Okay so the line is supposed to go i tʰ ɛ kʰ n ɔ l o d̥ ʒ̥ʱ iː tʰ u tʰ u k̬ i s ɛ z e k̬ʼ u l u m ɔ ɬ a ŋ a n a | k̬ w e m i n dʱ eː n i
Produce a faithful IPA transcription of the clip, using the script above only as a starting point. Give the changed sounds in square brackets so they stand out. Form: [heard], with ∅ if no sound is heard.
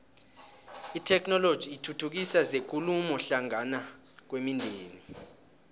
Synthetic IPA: i tʰ ɛ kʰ n ɔ l o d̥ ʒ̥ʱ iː tʰ u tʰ u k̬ i s [a] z e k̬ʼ u l u m ɔ ɬ a ŋ a n a | k̬ w e m i n dʱ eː n i